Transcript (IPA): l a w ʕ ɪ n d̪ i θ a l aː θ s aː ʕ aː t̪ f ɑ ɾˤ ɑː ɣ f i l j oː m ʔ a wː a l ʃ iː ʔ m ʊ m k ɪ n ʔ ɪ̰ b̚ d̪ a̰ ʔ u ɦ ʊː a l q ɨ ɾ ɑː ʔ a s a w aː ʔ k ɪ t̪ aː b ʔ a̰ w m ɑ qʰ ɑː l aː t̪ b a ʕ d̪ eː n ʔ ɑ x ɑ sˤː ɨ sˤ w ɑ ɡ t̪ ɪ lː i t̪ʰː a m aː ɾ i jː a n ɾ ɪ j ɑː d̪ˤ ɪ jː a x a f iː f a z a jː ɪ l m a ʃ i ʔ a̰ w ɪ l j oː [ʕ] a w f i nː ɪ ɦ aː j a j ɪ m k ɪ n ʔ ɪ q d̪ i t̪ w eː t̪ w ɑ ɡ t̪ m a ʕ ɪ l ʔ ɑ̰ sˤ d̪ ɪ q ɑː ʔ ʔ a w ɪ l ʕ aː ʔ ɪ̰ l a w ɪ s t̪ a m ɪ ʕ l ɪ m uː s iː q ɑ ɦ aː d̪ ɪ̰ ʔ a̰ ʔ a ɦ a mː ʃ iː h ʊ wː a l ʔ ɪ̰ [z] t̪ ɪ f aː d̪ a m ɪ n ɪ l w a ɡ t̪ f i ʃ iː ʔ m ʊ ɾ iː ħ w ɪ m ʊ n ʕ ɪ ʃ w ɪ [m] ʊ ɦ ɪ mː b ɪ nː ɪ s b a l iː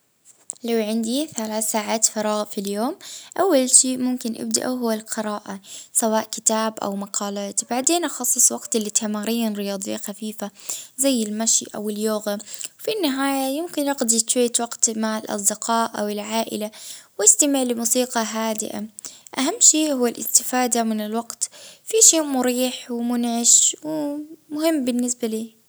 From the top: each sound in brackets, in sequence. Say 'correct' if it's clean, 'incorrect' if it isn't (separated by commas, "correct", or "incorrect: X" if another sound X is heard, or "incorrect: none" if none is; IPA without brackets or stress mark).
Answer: incorrect: ɣ, incorrect: s, correct